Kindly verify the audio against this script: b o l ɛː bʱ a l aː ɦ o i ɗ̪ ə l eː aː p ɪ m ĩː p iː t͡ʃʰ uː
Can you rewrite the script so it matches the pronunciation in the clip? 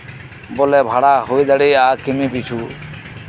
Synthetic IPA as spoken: b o l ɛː bʱ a ɽ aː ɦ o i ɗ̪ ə ɽ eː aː k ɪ m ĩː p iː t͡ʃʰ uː